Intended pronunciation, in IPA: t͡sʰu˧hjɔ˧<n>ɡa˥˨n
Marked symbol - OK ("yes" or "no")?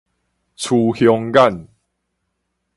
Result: no